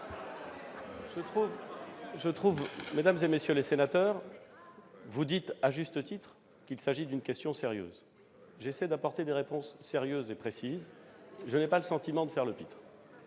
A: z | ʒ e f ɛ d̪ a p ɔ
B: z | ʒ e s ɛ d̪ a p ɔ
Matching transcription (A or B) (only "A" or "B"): B